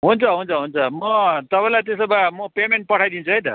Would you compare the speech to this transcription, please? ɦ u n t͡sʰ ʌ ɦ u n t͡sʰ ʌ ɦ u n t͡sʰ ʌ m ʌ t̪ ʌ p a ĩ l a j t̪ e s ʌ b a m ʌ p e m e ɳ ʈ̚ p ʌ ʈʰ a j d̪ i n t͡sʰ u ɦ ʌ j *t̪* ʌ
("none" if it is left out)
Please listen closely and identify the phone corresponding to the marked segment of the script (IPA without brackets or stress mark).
t̪